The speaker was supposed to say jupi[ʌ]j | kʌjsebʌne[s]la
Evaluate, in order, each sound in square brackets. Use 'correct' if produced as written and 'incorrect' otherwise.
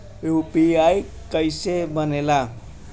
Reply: incorrect: a, incorrect: none

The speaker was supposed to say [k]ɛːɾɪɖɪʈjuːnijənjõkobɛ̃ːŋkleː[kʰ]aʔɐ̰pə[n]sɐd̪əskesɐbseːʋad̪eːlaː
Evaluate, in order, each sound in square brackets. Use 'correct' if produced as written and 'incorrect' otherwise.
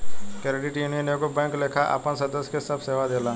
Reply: correct, correct, correct

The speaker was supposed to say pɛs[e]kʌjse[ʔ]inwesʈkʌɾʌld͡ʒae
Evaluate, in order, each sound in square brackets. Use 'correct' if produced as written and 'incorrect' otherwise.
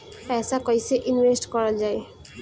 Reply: incorrect: a, correct

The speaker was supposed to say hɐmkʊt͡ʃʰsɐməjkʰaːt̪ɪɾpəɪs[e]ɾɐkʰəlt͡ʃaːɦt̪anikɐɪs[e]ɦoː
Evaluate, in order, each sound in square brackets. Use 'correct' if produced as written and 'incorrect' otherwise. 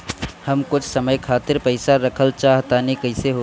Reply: incorrect: a, correct

